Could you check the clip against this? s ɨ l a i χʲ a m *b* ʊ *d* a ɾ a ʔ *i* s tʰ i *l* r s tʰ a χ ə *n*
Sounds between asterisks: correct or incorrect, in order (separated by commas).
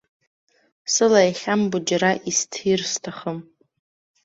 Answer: correct, incorrect, correct, incorrect, incorrect